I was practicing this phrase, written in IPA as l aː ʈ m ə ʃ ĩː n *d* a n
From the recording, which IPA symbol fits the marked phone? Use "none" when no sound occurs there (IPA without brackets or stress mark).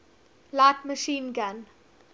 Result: ɡ